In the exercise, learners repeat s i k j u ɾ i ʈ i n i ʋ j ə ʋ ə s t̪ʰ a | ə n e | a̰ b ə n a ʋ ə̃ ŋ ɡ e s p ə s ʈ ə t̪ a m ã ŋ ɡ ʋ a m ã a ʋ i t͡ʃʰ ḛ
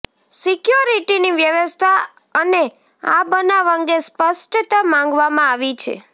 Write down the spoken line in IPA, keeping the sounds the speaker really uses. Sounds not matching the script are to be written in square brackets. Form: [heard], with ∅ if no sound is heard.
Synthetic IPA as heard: s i k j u ɾ i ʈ i n i ʋ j ə ʋ ə s t̪ʰ a | ə n e | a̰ b ə n a ʋ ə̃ ŋ ɡ e s p ə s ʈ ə t̪ a m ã ŋ ɡ ʋ a m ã a ʋ i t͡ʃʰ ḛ